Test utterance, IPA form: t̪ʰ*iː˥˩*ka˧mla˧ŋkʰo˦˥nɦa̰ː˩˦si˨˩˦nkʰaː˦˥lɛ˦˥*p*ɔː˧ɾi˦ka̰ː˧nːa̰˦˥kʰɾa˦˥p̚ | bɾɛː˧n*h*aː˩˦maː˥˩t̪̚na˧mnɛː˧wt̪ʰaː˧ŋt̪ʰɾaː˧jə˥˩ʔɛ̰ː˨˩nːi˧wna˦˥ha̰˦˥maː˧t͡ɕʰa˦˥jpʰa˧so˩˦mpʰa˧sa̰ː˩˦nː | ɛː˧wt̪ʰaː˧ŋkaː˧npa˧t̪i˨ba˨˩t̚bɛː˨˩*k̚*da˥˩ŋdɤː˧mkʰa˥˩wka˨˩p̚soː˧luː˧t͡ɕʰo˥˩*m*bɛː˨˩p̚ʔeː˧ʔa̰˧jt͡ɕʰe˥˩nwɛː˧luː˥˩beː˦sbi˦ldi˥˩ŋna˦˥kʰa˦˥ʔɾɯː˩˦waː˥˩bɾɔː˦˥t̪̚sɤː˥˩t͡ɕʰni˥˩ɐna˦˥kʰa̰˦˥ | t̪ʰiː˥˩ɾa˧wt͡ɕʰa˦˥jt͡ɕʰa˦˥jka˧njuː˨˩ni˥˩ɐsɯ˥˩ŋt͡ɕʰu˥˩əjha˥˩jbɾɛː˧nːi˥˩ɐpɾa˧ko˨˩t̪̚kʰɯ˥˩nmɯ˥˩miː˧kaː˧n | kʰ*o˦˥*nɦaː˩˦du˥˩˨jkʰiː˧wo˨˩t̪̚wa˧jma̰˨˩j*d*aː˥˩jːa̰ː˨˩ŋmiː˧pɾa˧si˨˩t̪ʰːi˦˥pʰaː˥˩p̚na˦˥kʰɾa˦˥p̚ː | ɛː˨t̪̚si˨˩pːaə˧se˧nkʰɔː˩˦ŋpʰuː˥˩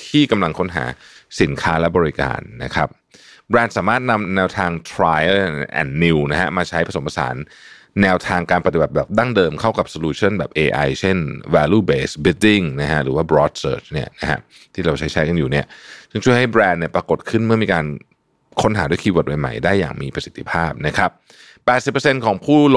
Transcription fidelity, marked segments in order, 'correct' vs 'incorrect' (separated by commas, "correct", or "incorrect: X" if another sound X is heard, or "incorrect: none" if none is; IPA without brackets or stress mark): correct, incorrect: b, incorrect: s, incorrect: p̚, incorrect: n, correct, correct